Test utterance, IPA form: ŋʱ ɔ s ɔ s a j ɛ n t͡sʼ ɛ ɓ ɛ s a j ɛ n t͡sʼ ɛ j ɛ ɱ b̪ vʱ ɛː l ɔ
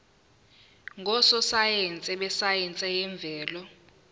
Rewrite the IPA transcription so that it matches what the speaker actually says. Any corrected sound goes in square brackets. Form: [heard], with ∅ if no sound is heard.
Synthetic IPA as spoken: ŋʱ ɔ s ɔ s a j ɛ n t͡sʼ ɛ ɓ ɛ s a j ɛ n t͡sʼ ɛ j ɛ ɱ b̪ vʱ ɛː l ɔ